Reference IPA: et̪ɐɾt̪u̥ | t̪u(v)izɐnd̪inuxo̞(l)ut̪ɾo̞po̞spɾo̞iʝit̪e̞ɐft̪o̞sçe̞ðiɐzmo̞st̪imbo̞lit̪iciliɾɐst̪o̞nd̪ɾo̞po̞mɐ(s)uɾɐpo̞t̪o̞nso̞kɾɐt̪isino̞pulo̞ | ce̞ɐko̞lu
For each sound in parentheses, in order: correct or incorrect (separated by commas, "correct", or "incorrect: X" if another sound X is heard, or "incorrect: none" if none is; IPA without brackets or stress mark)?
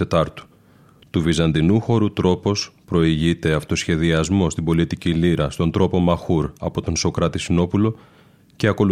correct, incorrect: ɾ, incorrect: x